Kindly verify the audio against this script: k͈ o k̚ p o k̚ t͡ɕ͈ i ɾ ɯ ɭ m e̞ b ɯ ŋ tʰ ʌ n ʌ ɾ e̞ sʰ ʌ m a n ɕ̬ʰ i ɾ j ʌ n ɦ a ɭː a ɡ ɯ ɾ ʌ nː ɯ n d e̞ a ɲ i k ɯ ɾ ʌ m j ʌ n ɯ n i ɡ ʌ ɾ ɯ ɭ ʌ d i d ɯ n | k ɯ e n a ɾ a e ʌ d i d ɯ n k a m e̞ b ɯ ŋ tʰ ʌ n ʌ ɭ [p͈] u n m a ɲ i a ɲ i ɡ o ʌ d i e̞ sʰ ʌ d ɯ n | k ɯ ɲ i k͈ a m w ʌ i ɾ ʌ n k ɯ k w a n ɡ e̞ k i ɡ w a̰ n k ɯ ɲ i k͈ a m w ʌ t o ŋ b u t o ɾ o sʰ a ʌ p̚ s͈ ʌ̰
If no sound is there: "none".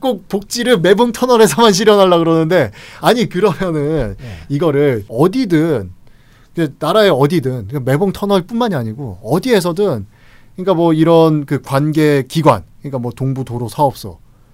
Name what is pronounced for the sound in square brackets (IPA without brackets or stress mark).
p͈